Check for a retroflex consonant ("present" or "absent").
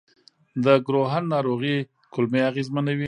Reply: absent